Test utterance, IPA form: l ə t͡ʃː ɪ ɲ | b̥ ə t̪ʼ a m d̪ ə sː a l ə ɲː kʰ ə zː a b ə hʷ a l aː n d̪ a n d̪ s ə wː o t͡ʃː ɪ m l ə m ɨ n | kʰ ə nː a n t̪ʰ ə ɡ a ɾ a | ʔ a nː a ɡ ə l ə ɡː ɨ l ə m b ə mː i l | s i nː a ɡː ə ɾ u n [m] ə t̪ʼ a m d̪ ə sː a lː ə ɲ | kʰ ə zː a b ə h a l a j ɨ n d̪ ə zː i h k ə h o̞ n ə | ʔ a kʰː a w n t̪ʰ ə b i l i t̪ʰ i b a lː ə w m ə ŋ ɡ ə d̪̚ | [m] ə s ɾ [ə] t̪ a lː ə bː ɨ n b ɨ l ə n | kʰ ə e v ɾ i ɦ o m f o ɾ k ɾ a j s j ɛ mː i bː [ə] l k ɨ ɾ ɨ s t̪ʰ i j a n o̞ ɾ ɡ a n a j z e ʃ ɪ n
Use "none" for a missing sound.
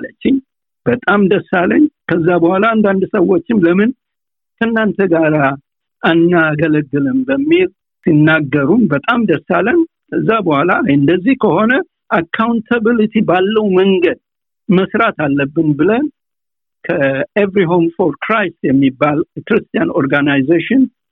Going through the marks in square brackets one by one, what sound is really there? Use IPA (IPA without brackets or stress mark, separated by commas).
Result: b, m, a, a